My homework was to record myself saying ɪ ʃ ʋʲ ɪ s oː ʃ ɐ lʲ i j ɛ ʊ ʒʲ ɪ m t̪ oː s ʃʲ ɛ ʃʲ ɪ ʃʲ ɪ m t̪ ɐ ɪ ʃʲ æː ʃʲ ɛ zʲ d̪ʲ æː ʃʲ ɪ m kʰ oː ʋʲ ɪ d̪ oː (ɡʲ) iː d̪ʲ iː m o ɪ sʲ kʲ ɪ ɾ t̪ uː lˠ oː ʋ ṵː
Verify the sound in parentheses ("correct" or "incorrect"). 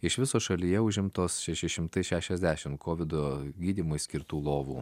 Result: correct